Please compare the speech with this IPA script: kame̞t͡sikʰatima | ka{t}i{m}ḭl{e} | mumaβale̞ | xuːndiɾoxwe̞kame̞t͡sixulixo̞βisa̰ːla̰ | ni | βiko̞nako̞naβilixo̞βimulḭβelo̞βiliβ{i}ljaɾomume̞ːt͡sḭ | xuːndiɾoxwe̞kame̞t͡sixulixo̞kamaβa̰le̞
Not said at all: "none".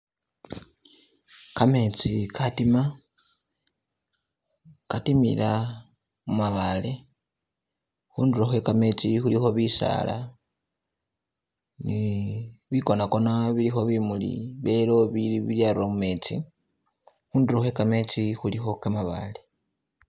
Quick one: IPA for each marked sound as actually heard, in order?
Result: t, m, a, i

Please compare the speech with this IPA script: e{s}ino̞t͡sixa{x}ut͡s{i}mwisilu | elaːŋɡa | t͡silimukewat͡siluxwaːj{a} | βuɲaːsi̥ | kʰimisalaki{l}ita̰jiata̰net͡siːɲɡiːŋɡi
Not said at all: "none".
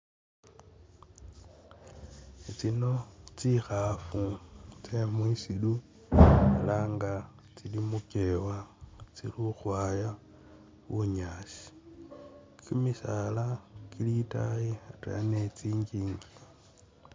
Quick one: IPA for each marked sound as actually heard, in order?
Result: t͡s, f, e, a, l

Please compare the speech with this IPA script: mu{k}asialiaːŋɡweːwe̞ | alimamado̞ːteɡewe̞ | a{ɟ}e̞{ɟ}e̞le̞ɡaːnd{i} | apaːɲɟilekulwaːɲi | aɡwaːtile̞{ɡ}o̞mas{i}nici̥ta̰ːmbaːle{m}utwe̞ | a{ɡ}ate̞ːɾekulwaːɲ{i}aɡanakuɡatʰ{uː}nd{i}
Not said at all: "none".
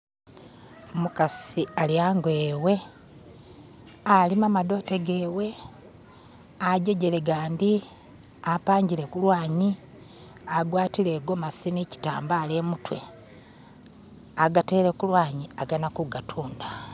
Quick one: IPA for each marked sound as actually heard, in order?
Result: k, ɟ, ɟ, i, ɡ, i, m, ɡ, i, uː, a

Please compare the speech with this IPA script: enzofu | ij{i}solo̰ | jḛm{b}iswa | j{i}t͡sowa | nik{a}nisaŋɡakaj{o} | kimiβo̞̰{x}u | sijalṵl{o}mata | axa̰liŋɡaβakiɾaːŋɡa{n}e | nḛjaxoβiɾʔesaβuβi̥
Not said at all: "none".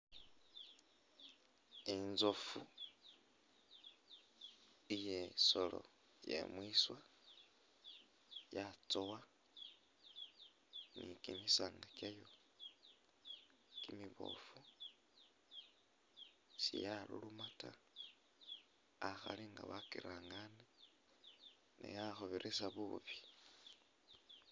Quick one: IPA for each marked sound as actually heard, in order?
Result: e, w, a, i, o, f, u, n

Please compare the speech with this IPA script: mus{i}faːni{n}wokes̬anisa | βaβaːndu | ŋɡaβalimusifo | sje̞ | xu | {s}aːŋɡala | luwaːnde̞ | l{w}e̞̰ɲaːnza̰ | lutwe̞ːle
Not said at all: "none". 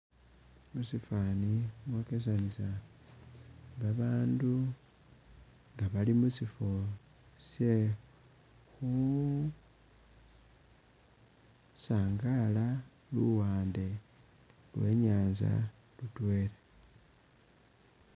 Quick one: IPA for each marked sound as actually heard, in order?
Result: i, m, s, w

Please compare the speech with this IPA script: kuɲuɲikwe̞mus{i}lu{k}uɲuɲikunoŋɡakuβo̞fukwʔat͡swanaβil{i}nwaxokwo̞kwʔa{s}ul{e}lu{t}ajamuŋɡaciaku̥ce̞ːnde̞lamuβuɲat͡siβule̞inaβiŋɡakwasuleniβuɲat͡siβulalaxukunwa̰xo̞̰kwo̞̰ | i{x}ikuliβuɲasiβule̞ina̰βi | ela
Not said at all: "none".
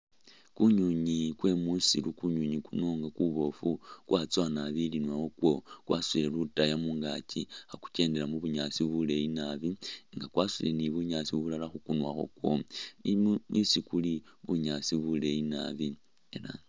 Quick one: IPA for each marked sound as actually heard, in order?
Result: i, k, i, s, e, t, s

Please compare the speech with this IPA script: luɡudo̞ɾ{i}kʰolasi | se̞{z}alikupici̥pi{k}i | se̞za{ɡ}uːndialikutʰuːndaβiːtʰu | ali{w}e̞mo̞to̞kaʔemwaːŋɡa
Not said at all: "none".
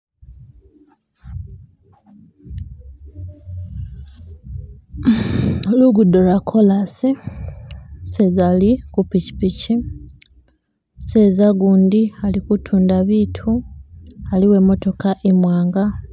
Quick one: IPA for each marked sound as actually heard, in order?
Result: a, z, c, ɡ, w

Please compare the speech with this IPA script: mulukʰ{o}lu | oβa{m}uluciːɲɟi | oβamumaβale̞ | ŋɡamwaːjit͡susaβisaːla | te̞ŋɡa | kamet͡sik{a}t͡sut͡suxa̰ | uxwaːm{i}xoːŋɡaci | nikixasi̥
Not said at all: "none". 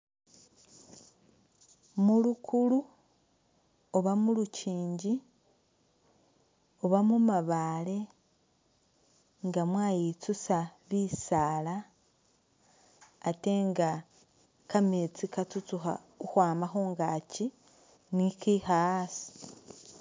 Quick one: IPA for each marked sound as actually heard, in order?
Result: u, m, a, a

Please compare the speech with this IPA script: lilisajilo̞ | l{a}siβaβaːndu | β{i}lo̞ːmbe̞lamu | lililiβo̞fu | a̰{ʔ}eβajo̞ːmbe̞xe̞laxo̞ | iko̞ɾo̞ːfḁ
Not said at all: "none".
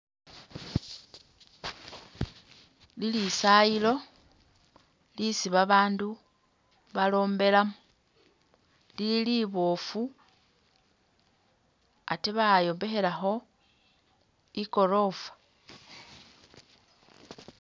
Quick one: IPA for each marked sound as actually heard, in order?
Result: i, a, t

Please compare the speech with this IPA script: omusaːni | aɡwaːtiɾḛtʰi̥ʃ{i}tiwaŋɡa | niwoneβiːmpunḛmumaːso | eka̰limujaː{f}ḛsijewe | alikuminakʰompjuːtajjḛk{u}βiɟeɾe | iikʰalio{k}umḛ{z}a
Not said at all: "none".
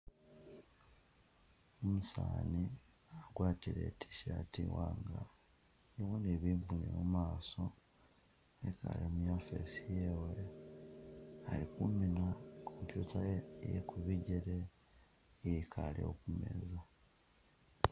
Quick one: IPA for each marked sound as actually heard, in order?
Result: a, f, u, k, z

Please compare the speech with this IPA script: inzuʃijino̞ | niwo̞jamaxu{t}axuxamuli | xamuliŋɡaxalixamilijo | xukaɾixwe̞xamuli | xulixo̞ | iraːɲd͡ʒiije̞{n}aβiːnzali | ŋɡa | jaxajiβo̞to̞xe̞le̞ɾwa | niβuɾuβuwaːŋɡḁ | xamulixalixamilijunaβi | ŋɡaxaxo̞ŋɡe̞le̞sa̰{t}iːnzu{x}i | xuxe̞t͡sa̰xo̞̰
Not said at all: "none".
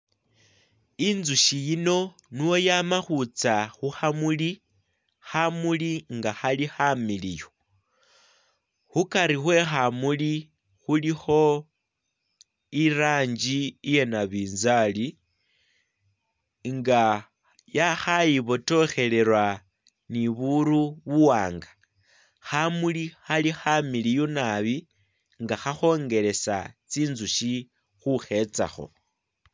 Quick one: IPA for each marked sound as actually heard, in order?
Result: t͡s, n, t͡s, ʃ

